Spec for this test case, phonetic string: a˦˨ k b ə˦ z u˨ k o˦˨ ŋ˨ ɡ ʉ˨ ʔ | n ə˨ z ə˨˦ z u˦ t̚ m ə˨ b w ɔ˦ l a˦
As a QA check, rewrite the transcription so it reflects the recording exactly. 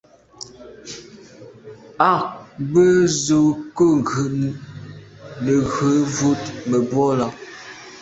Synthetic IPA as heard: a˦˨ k b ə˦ z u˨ k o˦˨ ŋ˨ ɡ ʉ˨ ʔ | n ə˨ ɣ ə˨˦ v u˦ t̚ m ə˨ b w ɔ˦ l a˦